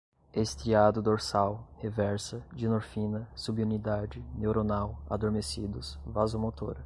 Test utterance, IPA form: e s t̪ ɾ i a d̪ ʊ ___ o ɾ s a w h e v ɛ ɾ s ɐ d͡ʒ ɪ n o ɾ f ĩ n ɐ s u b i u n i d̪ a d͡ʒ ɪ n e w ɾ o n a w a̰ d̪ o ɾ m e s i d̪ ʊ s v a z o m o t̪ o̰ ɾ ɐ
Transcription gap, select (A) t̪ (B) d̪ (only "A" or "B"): B